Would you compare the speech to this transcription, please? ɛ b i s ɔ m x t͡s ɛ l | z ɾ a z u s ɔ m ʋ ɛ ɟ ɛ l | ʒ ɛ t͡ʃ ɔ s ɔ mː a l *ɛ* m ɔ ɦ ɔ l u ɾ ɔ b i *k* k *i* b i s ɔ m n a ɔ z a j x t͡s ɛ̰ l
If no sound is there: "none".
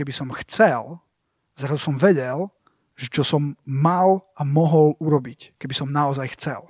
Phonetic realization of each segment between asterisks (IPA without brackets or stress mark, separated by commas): a, c, ɛ